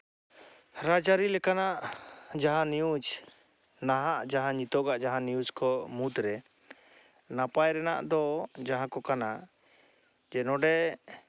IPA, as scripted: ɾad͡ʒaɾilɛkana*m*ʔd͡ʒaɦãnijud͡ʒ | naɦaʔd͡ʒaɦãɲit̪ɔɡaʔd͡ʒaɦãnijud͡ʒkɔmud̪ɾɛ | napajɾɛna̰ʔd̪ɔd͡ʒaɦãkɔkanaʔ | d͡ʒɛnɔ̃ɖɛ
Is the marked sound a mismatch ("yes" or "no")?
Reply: yes